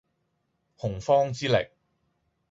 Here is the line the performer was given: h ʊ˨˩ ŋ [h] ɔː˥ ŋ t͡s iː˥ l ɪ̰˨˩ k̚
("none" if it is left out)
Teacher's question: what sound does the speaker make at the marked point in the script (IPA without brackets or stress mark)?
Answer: f